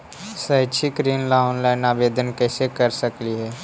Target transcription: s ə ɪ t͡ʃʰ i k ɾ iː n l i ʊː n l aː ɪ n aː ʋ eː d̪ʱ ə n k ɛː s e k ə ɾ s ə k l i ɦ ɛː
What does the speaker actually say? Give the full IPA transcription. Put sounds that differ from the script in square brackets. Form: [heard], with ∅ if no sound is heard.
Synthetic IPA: s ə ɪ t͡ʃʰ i k ɾ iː n l [a] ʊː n l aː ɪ n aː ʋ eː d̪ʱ ə n k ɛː s e k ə ɾ s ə k l i ɦ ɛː